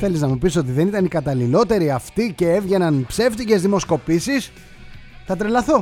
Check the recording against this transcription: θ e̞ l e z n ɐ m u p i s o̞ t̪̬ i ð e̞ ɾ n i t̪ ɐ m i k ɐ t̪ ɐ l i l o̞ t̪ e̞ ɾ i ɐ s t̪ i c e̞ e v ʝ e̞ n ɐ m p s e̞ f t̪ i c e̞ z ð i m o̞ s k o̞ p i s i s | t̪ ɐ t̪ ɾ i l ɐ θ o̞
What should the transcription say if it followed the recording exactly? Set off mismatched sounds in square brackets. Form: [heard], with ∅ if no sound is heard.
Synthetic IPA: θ e̞ l [i] z n ɐ m u p i s o̞ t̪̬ i ð e̞ [∅] n i t̪ ɐ [n] i k ɐ t̪ ɐ l i l o̞ t̪ e̞ ɾ i ɐ [f] t̪ i c e̞ e v ʝ e̞ n ɐ [n] p s e̞ f t̪ i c e̞ z ð i m o̞ s k o̞ p i s i s | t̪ ɐ t̪ ɾ [e] l ɐ θ o̞